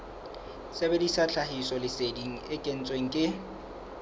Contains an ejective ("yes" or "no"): yes